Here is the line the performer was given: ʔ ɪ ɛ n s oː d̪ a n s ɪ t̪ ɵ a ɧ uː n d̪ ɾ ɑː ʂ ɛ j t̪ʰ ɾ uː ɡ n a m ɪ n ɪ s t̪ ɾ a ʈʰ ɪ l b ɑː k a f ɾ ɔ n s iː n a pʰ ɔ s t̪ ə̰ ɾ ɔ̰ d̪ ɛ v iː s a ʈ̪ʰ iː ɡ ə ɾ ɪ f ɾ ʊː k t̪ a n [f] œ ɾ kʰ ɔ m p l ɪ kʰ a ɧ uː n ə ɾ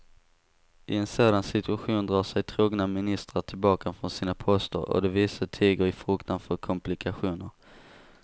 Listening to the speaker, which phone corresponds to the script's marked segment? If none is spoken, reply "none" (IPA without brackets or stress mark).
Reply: f